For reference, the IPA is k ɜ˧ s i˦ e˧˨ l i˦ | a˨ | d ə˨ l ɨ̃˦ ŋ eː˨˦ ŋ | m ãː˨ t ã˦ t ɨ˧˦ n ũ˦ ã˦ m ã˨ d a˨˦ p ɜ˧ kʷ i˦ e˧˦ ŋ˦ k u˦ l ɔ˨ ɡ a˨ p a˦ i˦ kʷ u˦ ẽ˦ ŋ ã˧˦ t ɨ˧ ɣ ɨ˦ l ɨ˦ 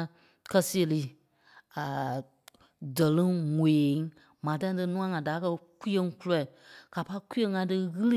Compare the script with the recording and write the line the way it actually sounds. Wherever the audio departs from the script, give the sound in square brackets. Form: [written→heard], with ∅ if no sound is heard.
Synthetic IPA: k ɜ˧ s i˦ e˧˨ l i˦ | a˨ | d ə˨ l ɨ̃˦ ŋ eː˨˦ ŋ | m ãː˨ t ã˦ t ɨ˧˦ n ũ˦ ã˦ [m→ŋ] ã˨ d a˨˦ [p→k] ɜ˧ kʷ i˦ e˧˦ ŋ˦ k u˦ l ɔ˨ [ɡ→k] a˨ p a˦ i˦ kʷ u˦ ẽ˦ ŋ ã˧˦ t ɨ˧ ɣ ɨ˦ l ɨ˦